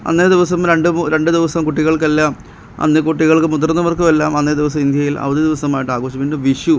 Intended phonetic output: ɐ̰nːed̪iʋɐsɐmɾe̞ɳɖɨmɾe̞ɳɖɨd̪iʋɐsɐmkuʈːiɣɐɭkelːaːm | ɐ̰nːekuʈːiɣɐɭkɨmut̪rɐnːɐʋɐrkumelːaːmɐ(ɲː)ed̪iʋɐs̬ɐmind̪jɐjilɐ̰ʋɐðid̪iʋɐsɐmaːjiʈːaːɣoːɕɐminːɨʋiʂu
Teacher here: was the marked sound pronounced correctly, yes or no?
no